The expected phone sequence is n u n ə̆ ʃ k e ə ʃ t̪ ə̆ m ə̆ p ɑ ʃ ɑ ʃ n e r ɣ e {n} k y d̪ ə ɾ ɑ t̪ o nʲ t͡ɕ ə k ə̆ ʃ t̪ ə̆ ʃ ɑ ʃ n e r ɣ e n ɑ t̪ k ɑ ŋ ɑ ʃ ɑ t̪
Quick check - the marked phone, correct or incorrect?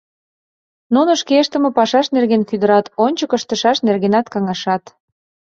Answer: correct